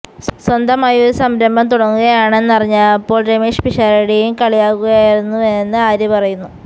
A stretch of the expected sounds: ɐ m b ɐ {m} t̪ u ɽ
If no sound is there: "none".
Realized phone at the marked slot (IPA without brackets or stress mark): m